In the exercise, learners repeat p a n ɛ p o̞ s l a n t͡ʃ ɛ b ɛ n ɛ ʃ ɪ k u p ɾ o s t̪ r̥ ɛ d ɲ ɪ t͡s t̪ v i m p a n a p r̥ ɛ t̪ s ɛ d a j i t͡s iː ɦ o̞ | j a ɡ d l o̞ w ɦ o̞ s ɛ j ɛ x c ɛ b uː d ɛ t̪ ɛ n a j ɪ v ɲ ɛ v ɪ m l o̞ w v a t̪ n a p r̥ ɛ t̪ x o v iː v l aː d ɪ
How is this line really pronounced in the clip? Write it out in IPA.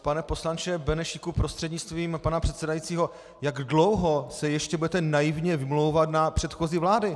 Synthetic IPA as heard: p a n ɛ p o̞ s l a n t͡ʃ ɛ b ɛ n ɛ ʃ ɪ k u p ɾ o s t̪ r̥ ɛ d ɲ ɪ t͡s t̪ v iː m p a n a p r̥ ɛ t̪ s ɛ d a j i t͡s iː ɦ o̞ | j a ɡ d l o̞ w ɦ o̞ s ɛ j ɛ ʃ c ɛ b u d ɛ t̪ ɛ n a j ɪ v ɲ ɛ v ɪ m l o̞ w v a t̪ n a p r̥ ɛ t̪ x o z iː v l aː d ɪ